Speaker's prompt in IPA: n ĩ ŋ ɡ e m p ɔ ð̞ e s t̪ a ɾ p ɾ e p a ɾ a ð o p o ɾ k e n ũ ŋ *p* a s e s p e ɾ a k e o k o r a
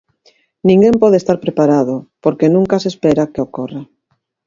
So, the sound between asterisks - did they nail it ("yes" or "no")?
no